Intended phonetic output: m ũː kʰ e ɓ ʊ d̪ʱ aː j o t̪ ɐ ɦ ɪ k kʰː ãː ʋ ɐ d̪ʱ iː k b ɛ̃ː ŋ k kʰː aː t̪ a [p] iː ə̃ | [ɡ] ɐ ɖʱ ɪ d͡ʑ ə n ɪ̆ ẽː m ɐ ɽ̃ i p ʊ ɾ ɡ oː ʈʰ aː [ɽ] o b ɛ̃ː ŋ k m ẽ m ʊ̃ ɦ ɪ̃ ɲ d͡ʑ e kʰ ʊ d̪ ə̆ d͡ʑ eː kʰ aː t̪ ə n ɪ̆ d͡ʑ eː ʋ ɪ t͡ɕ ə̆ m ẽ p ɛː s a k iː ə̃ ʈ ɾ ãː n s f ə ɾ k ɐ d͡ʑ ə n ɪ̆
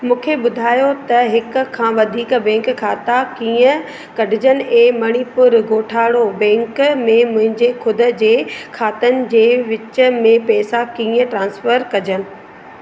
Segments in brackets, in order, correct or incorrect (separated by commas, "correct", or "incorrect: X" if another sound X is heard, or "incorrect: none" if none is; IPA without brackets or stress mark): incorrect: k, incorrect: k, correct